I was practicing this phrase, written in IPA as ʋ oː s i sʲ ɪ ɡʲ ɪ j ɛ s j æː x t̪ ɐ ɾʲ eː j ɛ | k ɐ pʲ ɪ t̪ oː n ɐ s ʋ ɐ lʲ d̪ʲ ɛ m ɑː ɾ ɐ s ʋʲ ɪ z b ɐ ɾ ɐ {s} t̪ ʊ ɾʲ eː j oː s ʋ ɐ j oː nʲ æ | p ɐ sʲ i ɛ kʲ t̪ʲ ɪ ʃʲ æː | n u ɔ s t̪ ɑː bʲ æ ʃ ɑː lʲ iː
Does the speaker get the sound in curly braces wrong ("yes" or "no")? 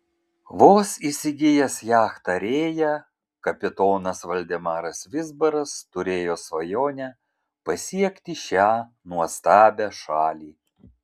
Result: no